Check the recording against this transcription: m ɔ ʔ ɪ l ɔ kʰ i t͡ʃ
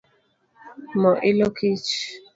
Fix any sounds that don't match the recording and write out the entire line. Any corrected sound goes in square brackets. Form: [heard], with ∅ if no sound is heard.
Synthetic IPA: m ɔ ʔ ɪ l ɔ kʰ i t͡ʃ